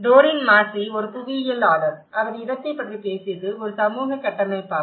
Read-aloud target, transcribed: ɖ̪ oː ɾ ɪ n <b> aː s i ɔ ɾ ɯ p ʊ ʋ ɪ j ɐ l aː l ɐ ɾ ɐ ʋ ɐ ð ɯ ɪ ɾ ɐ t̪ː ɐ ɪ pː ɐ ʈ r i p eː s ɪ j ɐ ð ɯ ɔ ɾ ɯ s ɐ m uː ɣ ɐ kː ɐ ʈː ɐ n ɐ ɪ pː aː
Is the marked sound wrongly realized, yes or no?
yes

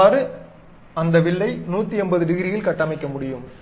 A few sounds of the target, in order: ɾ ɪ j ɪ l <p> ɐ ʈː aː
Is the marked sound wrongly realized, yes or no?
yes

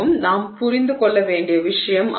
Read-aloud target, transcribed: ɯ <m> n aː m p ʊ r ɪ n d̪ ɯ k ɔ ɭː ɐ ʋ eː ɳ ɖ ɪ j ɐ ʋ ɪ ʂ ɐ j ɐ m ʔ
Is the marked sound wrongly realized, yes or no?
no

